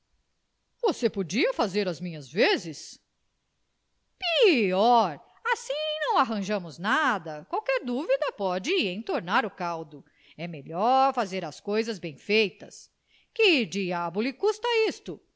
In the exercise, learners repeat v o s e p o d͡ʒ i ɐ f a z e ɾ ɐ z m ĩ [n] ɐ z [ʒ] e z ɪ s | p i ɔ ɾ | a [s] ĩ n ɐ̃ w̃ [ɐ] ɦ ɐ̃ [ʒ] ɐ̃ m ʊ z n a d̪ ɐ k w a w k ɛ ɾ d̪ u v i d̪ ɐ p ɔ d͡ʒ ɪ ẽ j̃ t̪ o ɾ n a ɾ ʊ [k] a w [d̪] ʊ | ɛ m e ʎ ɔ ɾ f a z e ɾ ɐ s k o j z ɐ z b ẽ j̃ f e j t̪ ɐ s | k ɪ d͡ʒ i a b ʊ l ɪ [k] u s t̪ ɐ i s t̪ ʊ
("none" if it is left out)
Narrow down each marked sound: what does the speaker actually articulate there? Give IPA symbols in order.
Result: ɲ, v, s, a, ʒ, k, d̪, k

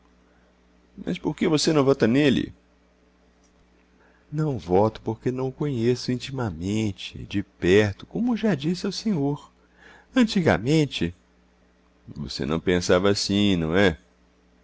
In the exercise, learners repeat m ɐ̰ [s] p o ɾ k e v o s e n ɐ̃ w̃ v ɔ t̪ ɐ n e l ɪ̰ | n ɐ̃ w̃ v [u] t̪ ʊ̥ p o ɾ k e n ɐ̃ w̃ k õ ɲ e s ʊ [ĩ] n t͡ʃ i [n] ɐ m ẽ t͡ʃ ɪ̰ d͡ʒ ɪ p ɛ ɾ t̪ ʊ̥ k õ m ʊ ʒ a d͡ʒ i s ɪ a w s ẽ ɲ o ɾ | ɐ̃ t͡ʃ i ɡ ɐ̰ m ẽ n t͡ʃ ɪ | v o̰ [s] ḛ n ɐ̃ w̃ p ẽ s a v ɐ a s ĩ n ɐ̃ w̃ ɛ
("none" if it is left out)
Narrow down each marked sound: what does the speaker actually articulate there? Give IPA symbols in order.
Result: s, ɔ, ĩ, m, s

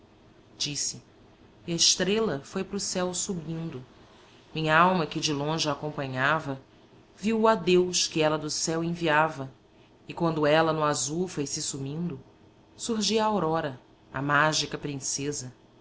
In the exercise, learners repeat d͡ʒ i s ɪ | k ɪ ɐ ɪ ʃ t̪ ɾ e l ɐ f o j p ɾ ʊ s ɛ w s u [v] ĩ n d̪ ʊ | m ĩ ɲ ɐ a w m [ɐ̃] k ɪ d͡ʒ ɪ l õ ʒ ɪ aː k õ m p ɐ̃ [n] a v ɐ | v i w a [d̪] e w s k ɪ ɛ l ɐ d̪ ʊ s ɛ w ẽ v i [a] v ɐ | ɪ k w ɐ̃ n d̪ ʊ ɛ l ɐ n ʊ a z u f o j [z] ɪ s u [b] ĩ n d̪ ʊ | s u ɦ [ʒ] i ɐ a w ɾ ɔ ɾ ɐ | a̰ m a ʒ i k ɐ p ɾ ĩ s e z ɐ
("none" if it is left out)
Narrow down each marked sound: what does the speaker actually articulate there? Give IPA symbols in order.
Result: b, ɐ, ɲ, d̪, a, s, m, ʒ

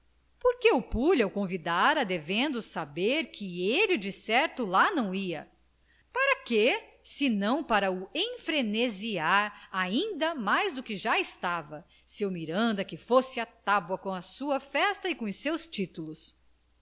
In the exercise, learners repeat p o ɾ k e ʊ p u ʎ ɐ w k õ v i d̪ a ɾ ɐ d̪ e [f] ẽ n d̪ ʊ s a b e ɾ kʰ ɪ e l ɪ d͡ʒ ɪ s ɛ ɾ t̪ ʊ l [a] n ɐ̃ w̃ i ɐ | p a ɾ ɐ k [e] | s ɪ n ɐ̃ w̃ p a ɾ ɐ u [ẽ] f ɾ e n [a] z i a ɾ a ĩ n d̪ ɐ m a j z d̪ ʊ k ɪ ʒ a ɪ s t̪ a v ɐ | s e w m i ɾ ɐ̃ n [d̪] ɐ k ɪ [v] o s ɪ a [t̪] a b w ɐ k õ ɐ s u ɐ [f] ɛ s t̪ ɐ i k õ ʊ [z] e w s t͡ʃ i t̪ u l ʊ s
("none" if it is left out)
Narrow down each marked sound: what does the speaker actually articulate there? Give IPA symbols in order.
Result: v, a, e, ẽ, e, d̪, f, t̪, f, s

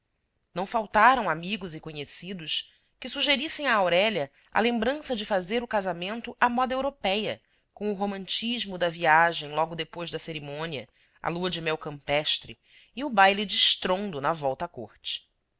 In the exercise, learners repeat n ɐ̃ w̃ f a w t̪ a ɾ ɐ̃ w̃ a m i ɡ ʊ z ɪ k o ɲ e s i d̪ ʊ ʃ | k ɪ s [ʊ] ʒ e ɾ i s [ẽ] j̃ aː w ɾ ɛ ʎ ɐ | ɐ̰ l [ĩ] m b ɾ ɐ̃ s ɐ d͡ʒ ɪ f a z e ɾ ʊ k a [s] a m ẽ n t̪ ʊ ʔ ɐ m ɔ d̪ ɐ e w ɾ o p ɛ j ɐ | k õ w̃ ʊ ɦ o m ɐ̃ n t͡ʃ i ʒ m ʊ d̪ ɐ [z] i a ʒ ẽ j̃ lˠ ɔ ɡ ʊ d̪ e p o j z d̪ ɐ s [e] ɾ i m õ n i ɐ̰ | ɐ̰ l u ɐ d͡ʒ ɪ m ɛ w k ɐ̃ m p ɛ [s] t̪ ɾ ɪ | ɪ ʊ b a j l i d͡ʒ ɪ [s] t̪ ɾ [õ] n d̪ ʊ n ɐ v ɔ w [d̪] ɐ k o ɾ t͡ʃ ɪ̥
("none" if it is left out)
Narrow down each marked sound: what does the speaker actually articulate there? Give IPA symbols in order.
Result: u, ẽ, ẽ, z, v, e, ʃ, ʃ, õ, t̪

